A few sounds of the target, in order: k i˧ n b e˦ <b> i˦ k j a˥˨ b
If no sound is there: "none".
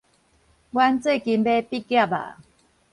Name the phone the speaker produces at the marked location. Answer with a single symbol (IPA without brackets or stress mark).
p